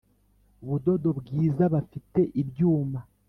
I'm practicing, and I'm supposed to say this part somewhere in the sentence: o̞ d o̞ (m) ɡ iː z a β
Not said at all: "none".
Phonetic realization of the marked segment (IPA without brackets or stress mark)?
b